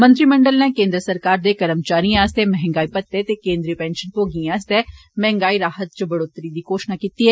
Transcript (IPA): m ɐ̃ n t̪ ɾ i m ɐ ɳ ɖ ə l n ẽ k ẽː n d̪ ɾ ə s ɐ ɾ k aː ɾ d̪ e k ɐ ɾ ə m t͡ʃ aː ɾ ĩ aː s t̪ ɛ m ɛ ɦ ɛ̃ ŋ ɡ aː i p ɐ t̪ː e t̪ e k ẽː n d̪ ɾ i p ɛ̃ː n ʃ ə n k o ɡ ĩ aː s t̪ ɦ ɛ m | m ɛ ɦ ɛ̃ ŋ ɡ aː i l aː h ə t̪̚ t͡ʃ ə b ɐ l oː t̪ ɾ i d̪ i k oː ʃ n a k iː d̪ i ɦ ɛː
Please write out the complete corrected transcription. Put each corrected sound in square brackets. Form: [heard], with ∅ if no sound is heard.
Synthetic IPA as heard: m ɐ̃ n t̪ ɾ i m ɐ ɳ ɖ ə l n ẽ k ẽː n d̪ ɾ ə s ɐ ɾ k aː ɾ d̪ e k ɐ ɾ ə m t͡ʃ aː ɾ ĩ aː s t̪ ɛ m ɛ ɦ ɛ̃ ŋ ɡ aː i p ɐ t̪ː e t̪ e k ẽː n d̪ ɾ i p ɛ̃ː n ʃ ə n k o ɡ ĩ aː s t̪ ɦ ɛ [∅] | m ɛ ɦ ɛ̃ ŋ ɡ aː i [ɾ] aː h ə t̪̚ t͡ʃ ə b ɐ [ɽ] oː t̪ ɾ i d̪ i k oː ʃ n a k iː [t̪] i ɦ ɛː